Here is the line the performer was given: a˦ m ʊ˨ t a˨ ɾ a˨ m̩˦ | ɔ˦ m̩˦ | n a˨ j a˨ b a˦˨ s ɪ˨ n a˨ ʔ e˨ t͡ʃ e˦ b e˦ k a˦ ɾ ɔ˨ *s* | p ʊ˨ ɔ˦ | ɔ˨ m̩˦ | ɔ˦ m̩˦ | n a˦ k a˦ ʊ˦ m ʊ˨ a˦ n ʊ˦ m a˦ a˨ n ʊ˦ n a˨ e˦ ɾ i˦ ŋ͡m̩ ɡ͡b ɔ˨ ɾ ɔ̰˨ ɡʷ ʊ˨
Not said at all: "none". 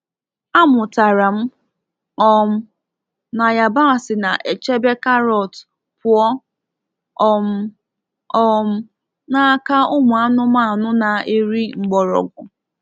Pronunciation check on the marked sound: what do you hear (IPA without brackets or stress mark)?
t